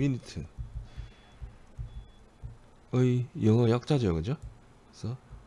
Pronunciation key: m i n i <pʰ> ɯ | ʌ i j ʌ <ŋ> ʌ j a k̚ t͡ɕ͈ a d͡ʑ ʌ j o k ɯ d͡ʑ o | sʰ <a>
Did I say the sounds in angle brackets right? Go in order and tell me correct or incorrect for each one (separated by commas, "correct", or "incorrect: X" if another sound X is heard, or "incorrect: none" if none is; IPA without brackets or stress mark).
incorrect: tʰ, correct, incorrect: ʌ